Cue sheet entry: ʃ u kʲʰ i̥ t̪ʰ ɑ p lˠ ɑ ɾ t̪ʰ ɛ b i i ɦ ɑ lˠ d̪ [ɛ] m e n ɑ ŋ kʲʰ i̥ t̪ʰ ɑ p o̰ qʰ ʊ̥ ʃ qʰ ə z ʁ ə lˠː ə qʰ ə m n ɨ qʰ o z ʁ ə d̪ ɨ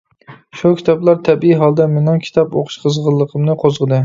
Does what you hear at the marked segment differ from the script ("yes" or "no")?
no